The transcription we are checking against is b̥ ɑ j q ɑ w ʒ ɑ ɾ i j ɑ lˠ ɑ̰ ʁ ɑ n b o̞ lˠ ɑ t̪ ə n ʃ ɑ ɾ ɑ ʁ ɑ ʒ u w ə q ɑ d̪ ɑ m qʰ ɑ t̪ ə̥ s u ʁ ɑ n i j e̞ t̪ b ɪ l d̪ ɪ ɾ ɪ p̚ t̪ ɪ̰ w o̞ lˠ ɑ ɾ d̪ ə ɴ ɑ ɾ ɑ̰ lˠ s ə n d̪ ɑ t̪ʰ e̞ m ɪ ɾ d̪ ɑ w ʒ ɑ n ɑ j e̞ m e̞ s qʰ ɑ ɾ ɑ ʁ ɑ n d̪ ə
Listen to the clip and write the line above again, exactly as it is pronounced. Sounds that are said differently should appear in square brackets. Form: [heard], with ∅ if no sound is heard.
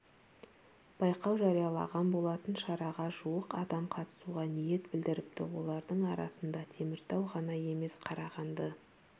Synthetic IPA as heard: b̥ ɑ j q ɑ w ʒ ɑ ɾ i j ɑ lˠ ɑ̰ ʁ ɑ n b o̞ lˠ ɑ t̪ ə n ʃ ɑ ɾ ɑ ʁ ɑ ʒ u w ə q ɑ d̪ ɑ m qʰ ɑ t̪ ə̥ s u ʁ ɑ n i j e̞ t̪ b ɪ l d̪ ɪ ɾ ɪ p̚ t̪ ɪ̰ w o̞ lˠ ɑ ɾ d̪ ə ɴ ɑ ɾ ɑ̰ [∅] s ə n d̪ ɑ t̪ʰ e̞ m ɪ ɾ [t̪] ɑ w [ʁ] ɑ n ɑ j e̞ m e̞ s qʰ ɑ ɾ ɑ ʁ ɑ n d̪ ə